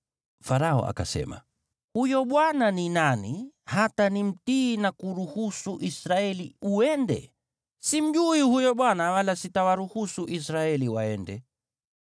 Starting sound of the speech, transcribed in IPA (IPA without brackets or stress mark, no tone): f